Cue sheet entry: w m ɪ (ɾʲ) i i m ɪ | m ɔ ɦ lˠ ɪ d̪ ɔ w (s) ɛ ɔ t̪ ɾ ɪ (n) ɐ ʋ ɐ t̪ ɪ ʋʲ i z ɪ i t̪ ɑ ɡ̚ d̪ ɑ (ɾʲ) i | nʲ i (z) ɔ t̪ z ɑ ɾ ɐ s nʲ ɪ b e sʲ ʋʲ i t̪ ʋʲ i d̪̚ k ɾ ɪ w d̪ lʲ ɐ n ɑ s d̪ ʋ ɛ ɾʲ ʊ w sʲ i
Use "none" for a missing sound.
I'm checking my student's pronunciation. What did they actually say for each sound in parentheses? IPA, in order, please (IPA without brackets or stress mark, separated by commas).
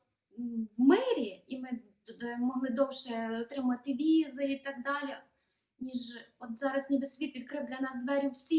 ɾʲ, ʃ, m, lʲ, ʒ